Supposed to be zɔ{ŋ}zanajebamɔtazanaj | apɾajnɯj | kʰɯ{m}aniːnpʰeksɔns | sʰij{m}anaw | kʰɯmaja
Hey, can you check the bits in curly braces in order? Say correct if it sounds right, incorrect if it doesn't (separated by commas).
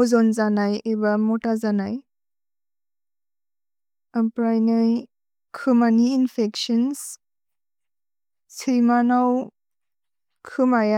incorrect, correct, correct